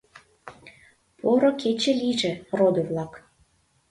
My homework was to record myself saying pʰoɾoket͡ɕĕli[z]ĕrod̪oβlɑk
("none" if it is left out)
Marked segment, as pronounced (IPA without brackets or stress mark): ʒ